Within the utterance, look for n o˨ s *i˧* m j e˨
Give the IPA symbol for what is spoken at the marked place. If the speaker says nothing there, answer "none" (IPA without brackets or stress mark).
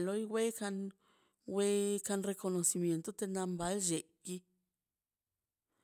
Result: i˧